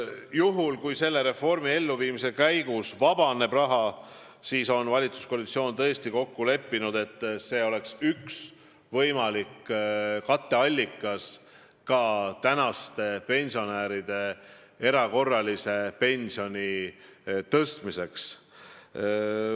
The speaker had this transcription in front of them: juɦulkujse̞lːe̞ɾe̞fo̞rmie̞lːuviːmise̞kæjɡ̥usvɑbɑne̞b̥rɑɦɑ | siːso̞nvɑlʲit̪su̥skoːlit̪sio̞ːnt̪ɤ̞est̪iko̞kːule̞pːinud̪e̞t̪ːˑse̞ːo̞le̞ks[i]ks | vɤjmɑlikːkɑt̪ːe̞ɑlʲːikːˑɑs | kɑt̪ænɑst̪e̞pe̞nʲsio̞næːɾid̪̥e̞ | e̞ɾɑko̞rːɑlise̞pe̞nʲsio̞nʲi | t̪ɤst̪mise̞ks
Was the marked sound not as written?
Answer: yes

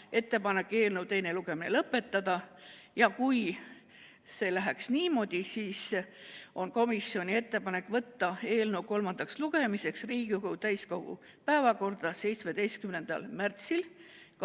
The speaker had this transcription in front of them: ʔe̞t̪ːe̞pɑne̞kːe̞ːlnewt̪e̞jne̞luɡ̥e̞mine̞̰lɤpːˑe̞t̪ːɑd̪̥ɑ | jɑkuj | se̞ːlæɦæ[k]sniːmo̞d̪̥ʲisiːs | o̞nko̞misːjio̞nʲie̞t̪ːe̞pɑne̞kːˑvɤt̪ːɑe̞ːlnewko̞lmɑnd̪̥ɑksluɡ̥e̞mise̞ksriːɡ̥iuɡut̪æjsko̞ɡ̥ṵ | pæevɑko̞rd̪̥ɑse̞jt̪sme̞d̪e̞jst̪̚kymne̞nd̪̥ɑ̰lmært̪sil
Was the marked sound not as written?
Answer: no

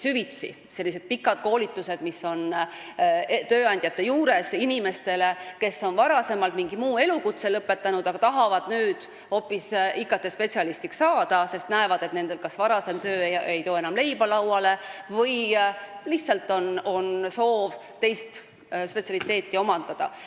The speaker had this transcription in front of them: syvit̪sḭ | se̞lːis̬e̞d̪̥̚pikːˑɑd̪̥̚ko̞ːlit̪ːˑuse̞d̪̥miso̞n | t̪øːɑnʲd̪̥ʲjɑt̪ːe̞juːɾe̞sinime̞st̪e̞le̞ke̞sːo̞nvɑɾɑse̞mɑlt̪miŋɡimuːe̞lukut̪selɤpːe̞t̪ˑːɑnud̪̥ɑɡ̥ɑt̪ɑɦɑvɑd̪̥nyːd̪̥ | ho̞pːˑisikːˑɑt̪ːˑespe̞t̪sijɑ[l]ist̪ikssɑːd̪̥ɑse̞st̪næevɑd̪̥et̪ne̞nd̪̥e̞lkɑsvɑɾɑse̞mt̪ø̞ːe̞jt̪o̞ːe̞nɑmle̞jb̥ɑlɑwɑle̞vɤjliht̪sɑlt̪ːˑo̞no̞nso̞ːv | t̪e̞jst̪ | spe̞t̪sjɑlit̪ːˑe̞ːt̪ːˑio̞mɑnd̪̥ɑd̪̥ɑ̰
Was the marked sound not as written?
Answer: no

